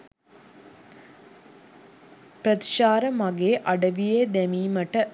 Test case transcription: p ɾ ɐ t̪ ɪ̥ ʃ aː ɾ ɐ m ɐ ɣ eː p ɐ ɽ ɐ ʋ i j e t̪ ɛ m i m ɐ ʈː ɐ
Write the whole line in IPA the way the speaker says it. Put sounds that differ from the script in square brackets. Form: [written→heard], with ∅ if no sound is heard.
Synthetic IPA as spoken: p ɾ ɐ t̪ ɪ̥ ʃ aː ɾ ɐ m ɐ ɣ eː [p→ʔ] ɐ ɽ ɐ ʋ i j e [t̪→d̪] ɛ m i m ɐ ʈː ɐ